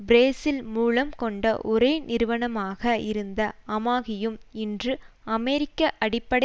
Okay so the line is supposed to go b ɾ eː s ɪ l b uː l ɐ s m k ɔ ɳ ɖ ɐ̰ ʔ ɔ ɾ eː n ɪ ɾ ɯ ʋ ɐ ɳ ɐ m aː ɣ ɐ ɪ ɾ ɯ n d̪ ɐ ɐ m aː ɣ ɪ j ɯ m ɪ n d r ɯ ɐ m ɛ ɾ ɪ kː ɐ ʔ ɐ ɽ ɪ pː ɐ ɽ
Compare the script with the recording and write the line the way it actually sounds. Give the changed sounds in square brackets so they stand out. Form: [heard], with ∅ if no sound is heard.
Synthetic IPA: b ɾ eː s ɪ l [m] uː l ɐ [∅] m k ɔ ɳ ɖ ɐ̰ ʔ ɔ ɾ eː n ɪ ɾ ɯ ʋ ɐ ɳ ɐ m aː ɣ ɐ ɪ ɾ ɯ n d̪ ɐ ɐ m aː ɣ ɪ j ɯ m ɪ n d r ɯ ɐ m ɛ ɾ ɪ kː ɐ ʔ ɐ ɽ ɪ pː ɐ ɽ